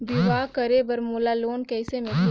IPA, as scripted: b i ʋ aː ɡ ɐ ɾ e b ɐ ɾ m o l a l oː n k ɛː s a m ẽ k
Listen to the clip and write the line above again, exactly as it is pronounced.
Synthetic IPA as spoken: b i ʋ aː k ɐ ɾ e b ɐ ɾ m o l a l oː n k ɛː s e m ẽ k